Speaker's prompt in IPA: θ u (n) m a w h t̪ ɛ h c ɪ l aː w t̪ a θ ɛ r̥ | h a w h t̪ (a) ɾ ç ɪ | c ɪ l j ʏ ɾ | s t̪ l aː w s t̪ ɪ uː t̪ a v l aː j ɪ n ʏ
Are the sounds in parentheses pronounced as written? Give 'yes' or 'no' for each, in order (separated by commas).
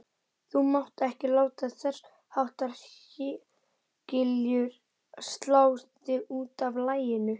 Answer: no, yes